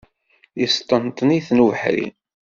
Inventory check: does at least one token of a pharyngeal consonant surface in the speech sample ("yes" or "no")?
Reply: yes